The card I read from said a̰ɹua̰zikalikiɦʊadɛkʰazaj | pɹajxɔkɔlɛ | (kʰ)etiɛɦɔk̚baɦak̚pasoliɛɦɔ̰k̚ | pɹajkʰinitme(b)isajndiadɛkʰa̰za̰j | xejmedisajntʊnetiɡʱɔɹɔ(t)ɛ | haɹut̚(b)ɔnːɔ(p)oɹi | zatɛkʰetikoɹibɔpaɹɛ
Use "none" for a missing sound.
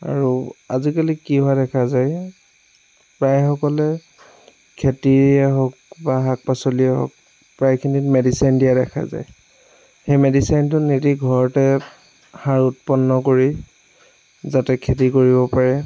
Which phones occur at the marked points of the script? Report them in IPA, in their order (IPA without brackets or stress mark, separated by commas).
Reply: kʰ, d, t, p, k